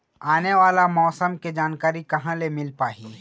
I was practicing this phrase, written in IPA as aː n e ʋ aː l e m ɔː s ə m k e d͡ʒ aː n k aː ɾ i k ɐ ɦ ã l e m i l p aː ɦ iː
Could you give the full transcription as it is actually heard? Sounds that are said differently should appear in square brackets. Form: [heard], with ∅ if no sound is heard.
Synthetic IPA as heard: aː n e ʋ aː l [a] m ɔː s ə m k e d͡ʒ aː n k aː ɾ i k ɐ ɦ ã l e m [ɪ] l p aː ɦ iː